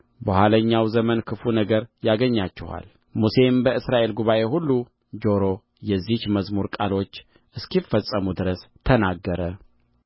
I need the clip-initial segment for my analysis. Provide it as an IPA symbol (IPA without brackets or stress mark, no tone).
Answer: b